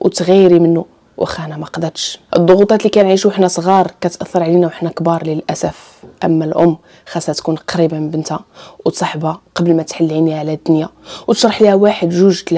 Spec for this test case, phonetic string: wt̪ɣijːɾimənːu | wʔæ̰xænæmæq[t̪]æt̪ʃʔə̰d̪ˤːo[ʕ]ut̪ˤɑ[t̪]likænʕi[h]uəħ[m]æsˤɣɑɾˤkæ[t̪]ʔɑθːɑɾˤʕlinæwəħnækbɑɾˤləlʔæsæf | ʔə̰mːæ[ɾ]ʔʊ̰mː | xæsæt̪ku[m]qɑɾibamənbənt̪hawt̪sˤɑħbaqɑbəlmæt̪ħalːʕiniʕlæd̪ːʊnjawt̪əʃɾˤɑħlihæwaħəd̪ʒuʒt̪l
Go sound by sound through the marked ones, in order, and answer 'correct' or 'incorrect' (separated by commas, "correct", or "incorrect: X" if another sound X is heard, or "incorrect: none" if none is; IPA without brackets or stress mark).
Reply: incorrect: d̪, incorrect: ɣ, correct, incorrect: ʃ, incorrect: n, correct, incorrect: l, incorrect: n